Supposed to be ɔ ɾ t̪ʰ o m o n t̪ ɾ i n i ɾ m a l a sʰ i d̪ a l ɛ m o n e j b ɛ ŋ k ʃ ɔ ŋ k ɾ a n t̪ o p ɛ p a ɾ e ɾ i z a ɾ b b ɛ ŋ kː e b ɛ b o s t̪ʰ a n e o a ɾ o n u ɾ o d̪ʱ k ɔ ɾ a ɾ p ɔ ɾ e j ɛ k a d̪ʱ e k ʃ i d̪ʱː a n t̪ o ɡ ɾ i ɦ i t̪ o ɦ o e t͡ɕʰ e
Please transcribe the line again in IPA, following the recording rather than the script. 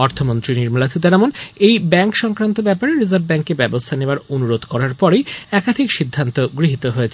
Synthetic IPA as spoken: ɔ ɾ t̪ʰ o m o n t̪ ɾ i n i ɾ m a l a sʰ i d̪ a ɾ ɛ m o n e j b ɛ ŋ k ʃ ɔ ŋ k ɾ a n t̪ o b ɛ p a ɾ e ɾ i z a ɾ b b ɛ ŋ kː e b ɛ b o s t̪ʰ a n e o a ɾ o n u ɾ o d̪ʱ k ɔ ɾ a ɾ p ɔ ɾ e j ɛ k a d̪ʱ i k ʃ i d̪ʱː a n t̪ o ɡ ɾ i ɦ i t̪ o ɦ o e t͡ɕʰ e